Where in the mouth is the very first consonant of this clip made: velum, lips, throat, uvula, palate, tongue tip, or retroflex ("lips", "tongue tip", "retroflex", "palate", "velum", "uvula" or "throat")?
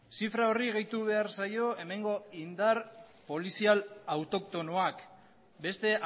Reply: tongue tip